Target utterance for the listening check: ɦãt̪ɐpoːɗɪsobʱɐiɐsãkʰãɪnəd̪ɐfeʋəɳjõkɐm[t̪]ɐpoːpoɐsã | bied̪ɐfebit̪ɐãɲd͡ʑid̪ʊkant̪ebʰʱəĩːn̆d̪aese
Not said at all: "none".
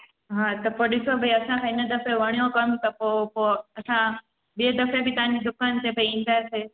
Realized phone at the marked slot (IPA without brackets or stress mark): t̪